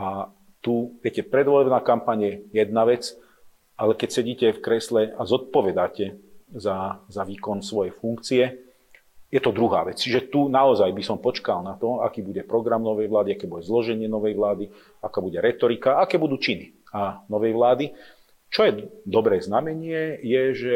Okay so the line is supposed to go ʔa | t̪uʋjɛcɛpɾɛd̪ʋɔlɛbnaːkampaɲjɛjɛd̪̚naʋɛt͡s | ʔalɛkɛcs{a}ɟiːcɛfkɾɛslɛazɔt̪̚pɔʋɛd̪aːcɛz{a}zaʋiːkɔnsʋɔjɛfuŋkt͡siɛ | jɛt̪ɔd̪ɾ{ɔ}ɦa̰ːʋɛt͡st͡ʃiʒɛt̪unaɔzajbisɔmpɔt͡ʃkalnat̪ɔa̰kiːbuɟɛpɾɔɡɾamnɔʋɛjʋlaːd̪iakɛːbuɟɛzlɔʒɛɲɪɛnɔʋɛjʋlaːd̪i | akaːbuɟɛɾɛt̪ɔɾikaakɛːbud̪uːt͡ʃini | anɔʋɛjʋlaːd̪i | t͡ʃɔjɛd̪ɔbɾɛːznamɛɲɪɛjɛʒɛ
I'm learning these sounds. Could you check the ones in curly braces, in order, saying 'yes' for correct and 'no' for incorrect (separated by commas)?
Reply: no, yes, no